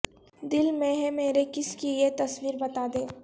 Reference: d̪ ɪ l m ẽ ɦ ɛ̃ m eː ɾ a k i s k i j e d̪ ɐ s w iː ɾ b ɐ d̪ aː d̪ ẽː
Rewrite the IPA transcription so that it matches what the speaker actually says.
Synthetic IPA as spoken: d̪ ɪ l m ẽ ɦ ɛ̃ m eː ɾ e k ɪ s k i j e t̪ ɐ s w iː ɾ b ɐ t̪ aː d̪ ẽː